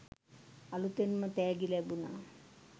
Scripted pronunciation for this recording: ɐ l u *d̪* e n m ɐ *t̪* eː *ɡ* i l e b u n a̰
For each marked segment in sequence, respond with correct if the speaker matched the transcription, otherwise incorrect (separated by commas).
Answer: incorrect, correct, correct